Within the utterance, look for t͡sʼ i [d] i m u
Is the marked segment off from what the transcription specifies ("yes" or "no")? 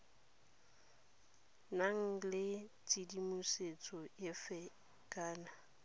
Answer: no